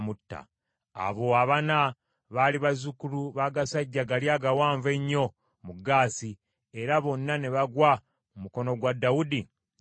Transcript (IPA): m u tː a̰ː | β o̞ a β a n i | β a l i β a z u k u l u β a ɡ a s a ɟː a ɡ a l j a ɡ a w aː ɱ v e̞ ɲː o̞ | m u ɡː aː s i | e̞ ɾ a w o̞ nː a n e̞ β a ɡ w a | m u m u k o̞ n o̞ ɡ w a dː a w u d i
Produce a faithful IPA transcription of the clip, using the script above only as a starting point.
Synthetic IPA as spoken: m u tː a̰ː | β o̞ a β a n a | β a l i β a z u k u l u β a ɡ a s a ɟː a ɡ a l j a ɡ a w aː ɱ v e̞ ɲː o̞ | m u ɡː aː s i | e̞ ɾ a β o̞ nː a n e̞ β a ɡ w a | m u m u k o̞ n o̞ ɡ w a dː a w u d i